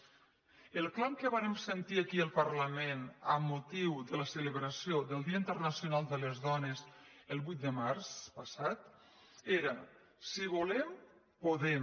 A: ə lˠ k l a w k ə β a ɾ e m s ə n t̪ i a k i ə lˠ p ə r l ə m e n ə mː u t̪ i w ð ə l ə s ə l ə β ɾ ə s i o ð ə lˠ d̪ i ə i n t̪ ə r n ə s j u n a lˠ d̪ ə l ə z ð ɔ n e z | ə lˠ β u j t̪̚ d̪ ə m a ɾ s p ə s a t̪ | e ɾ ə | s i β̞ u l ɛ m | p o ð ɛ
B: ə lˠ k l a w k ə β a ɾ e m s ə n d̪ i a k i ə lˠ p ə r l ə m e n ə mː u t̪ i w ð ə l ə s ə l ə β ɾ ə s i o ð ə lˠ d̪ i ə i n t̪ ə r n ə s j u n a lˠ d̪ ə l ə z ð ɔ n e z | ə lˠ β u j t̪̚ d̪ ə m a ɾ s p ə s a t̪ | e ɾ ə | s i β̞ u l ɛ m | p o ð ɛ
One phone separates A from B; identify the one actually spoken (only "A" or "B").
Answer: A